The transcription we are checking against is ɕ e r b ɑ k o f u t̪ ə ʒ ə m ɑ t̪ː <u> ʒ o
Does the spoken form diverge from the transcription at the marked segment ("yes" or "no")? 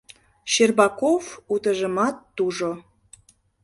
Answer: no